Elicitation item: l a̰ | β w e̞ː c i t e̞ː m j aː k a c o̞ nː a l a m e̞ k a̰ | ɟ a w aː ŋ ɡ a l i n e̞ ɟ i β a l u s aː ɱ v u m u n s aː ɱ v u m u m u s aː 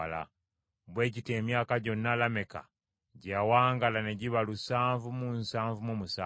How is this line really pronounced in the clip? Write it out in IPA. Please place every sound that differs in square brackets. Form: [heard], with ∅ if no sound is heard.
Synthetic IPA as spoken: l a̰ | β w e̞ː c i t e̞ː m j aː k a [ɟ] o̞ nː a l a m e̞ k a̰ | ɟ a w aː ŋ ɡ a l [a] n e̞ ɟ i β a l u s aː ɱ v u m u n s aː ɱ v u m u m u s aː